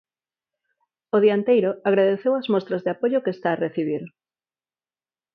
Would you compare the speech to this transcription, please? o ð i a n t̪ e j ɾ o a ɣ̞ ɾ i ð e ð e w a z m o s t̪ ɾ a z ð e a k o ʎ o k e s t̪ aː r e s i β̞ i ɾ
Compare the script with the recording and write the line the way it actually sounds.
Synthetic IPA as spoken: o ð i a n t̪ e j ɾ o a ɣ̞ ɾ a ð e θ e w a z m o s t̪ ɾ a z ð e a p o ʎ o k e s t̪ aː r e θ i β̞ i ɾ